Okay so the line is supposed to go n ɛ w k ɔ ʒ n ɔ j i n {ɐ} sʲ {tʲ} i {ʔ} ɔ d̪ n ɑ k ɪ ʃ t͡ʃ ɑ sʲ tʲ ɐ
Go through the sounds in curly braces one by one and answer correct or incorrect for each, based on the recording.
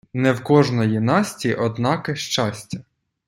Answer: incorrect: ɑ, correct, correct

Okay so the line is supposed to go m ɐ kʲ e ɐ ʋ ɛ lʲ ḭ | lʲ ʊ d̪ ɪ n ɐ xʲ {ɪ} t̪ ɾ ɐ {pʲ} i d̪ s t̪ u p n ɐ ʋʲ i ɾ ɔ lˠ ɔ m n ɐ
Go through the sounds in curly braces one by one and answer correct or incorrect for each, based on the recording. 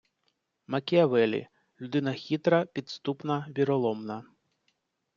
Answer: incorrect: i, correct

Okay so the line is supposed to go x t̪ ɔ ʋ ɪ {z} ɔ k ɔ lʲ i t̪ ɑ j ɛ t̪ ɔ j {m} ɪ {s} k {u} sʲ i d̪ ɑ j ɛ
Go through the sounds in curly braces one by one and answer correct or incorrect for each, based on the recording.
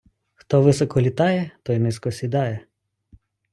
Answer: incorrect: s, incorrect: n, correct, incorrect: ɔ

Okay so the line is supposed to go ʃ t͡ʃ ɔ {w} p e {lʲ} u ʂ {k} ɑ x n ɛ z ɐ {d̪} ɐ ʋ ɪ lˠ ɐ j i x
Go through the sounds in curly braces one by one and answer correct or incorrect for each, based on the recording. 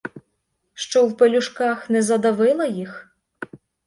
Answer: correct, correct, correct, correct

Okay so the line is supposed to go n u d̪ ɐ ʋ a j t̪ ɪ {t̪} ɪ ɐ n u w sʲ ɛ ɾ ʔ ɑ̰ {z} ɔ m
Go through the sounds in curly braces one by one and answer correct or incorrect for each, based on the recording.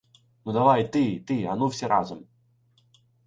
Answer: correct, correct

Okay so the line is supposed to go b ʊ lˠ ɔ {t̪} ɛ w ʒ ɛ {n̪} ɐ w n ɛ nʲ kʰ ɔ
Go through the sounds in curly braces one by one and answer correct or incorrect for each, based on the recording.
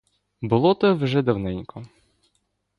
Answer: correct, incorrect: d̪

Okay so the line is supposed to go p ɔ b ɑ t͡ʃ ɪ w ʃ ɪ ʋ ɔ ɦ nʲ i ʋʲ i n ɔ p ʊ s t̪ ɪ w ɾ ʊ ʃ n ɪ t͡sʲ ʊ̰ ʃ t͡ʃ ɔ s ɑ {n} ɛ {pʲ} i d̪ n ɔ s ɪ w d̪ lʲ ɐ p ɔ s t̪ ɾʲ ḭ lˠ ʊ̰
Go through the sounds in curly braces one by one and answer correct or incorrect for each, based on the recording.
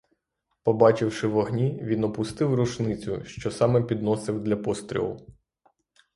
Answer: incorrect: m, correct

